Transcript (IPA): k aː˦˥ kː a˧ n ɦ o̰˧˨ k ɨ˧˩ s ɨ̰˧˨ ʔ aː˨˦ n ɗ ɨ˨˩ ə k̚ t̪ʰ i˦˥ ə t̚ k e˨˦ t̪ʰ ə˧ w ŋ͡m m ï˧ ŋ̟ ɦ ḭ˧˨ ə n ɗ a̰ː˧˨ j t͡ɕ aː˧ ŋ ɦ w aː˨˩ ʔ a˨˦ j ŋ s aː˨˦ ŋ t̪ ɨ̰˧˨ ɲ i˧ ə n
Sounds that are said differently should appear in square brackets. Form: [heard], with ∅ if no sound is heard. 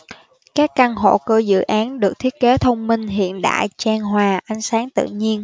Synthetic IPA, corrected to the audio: k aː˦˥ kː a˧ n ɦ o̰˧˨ k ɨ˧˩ [z] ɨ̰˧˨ ʔ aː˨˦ n ɗ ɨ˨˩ ə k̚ t̪ʰ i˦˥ ə t̚ k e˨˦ t̪ʰ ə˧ w ŋ͡m m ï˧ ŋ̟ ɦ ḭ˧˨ ə n ɗ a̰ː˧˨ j t͡ɕ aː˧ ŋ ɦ w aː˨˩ ʔ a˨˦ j ŋ s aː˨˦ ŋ t̪ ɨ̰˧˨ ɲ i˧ ə n